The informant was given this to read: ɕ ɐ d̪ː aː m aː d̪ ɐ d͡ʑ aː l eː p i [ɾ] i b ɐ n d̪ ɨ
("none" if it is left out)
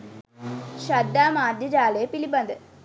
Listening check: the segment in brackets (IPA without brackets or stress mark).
l